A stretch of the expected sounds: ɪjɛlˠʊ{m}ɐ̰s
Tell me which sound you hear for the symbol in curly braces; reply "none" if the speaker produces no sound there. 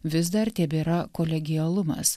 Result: m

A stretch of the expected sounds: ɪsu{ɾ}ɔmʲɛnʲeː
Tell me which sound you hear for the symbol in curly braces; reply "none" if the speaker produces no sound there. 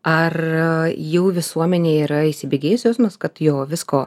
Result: none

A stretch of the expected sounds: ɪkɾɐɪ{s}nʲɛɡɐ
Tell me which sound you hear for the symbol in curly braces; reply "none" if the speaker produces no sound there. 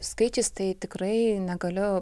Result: none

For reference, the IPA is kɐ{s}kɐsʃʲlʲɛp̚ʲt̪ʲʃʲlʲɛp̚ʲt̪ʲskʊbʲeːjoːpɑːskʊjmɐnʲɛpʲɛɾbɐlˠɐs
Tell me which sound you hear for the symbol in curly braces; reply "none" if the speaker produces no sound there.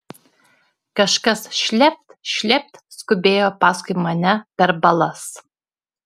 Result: ʃ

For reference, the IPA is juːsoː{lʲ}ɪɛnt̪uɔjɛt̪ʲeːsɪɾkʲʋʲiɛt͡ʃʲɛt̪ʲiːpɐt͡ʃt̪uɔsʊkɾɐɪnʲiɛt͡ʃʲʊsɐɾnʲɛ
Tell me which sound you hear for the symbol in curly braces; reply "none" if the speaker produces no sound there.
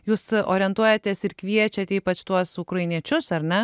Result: ɾʲ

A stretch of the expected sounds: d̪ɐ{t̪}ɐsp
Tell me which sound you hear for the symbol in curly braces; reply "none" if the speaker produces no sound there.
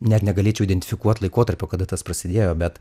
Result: t̪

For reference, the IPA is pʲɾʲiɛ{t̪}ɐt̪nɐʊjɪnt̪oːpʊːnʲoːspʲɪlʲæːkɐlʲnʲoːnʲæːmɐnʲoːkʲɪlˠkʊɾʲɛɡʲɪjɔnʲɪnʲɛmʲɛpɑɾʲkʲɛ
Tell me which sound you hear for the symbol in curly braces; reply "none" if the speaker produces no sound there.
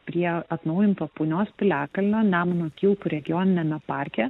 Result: none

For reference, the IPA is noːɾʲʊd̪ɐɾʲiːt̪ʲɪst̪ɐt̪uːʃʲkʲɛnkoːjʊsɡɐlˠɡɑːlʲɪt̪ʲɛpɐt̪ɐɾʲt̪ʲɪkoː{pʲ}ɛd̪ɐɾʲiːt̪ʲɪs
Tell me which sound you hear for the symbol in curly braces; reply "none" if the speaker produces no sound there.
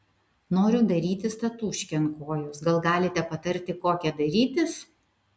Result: kʲ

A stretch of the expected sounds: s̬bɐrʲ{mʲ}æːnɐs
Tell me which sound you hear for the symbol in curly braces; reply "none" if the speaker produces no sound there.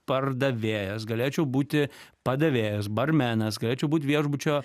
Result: mʲ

